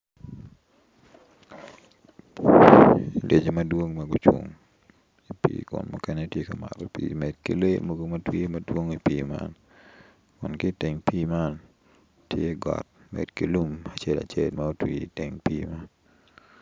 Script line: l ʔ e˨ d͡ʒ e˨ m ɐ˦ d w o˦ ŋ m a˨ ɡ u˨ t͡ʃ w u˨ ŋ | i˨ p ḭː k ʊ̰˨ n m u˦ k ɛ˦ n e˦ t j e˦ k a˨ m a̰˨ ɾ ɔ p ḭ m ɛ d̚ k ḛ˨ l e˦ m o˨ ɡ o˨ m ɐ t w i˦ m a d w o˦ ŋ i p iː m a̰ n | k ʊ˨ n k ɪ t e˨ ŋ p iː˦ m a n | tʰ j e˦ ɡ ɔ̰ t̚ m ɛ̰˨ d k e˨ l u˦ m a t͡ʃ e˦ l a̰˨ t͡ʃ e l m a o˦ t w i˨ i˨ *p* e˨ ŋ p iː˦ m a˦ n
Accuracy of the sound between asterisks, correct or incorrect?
incorrect